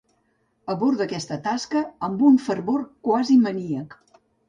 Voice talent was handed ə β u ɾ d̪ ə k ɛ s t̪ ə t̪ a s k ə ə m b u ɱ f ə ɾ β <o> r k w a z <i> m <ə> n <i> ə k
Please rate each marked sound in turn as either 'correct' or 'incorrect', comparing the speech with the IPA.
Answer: correct, correct, correct, correct

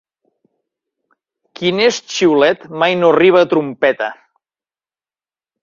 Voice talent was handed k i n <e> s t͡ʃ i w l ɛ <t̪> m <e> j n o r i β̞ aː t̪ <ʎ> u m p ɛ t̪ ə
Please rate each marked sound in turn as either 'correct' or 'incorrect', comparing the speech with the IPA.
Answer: correct, correct, incorrect, incorrect

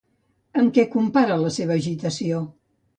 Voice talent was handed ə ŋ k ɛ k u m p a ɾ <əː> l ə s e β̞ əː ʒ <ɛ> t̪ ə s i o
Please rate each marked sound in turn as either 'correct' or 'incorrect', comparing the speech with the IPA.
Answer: incorrect, incorrect

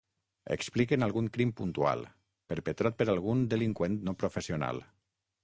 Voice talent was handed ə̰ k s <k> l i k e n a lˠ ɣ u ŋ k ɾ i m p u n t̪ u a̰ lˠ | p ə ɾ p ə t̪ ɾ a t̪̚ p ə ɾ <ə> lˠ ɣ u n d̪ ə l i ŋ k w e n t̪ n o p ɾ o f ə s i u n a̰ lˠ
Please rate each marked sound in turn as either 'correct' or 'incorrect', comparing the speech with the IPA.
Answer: incorrect, incorrect

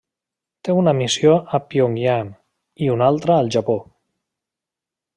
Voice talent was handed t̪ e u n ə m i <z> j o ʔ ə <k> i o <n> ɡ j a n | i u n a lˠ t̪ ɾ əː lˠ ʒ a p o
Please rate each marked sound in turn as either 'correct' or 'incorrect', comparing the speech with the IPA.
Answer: incorrect, incorrect, incorrect

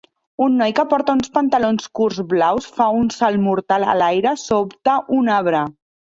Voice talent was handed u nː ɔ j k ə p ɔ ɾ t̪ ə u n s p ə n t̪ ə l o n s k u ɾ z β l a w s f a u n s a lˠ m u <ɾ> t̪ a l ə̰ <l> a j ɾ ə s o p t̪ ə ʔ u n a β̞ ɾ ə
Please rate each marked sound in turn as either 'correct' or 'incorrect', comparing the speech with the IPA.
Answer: correct, correct

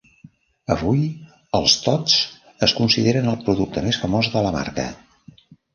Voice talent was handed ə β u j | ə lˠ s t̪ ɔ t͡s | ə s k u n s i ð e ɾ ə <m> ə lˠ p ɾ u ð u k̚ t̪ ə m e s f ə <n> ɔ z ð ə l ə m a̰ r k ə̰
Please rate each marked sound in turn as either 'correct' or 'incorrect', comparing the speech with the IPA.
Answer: incorrect, incorrect

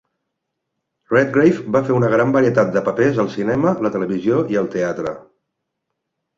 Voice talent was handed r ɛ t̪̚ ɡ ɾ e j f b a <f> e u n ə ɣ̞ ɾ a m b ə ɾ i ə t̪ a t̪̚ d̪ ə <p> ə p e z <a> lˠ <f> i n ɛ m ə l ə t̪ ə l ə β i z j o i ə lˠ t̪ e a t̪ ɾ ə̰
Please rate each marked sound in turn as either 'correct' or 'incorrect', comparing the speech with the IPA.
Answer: correct, correct, incorrect, incorrect

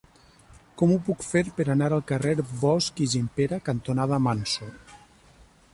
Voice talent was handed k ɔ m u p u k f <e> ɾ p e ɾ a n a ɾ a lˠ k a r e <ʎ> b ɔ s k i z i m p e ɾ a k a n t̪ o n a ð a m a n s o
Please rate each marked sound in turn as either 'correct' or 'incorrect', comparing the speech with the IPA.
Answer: correct, incorrect

